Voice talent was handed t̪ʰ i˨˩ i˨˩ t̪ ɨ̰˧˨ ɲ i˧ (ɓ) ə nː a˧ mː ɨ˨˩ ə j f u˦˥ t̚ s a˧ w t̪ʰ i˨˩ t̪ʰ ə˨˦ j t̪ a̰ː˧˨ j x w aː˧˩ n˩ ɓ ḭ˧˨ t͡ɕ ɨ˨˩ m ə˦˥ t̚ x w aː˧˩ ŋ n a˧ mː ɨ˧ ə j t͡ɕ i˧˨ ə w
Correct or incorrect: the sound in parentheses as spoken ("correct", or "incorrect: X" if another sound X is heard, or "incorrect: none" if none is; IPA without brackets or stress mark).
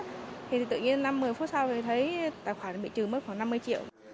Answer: incorrect: none